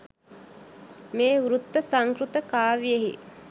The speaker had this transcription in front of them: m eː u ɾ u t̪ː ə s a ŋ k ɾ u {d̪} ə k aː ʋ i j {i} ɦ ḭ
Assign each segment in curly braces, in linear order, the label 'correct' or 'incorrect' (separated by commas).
incorrect, incorrect